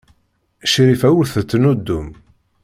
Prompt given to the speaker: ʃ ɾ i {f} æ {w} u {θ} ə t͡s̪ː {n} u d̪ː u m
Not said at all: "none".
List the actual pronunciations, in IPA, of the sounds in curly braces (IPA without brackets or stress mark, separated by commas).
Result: f, w, θ, n